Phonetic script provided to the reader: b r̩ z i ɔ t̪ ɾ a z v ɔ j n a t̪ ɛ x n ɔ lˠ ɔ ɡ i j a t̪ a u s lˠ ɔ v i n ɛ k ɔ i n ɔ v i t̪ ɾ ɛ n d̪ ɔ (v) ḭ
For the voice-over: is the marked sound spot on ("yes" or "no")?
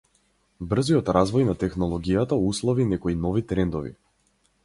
yes